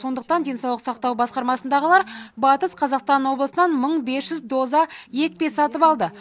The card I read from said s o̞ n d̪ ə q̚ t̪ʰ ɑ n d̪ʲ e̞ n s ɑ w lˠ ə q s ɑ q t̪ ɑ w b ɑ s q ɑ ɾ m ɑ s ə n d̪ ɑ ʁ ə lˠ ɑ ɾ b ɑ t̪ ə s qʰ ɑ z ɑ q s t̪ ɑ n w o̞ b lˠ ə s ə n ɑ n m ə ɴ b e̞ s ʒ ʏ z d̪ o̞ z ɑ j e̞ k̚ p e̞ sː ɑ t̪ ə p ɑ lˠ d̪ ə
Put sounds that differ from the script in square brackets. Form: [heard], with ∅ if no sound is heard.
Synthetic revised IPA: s o̞ n d̪ ə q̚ [t̪] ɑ n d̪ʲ e̞ n s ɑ w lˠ ə q s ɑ q t̪ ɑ w b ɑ s q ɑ ɾ m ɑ s ə n d̪ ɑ ʁ ə lˠ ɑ ɾ b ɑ t̪ ə s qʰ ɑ z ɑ q s t̪ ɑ n w o̞ b lˠ ə s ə n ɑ n m ə ɴ b e̞ s ʒ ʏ z d̪ o̞ z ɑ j e̞ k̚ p e̞ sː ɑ t̪ ə p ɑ lˠ d̪ ə